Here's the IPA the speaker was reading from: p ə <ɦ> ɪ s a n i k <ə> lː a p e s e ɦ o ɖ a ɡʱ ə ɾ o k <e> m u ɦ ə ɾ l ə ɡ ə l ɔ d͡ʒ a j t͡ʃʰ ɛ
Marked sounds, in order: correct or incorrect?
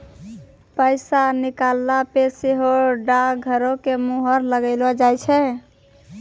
incorrect: none, incorrect: a, correct

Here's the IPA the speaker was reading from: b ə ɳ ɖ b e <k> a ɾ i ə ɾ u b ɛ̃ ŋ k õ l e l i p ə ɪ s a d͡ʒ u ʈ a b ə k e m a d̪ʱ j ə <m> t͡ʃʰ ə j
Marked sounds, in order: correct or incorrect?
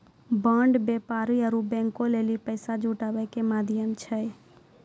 incorrect: p, correct

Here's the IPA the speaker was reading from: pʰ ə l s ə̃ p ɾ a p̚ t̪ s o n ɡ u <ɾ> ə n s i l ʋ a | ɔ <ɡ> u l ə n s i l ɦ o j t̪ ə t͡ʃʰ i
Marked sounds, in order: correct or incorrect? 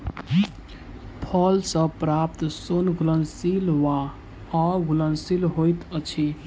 incorrect: l, correct

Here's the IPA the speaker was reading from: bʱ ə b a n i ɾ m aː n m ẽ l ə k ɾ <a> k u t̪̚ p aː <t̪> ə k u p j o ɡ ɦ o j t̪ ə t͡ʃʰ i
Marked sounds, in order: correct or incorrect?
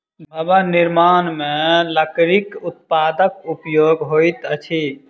incorrect: i, incorrect: d̪

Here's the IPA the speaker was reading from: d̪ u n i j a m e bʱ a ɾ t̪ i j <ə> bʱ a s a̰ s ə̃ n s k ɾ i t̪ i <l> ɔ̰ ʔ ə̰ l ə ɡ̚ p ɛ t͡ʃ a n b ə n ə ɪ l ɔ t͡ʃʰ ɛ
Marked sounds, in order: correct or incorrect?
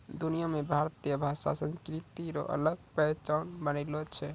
correct, incorrect: ɾ

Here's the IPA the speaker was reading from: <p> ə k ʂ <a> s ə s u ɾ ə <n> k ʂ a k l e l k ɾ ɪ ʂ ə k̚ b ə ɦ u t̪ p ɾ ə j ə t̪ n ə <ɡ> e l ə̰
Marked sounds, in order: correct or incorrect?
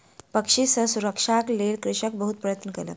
correct, incorrect: i, incorrect: none, incorrect: k

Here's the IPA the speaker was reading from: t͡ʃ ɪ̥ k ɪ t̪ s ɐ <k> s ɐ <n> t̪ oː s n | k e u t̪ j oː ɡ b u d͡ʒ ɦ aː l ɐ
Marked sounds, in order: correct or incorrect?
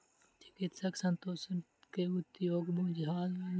correct, correct

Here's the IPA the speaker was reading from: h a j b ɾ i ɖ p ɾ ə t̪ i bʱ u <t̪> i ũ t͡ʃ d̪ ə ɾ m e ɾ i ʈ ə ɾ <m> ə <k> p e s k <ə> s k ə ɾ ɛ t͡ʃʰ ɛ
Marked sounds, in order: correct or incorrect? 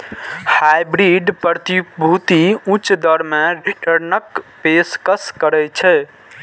correct, incorrect: n, correct, correct

